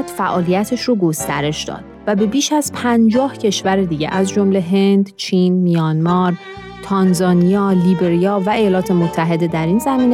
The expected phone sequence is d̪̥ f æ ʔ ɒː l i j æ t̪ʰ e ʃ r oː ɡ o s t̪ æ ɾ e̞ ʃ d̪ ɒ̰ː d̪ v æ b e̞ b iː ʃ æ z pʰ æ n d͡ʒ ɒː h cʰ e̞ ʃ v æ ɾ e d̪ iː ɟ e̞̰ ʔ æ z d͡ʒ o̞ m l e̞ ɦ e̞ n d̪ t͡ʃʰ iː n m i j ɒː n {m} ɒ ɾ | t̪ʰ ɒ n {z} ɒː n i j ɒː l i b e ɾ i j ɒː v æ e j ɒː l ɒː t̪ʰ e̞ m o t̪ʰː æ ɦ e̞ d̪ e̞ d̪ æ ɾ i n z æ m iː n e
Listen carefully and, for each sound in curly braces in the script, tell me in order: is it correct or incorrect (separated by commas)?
correct, correct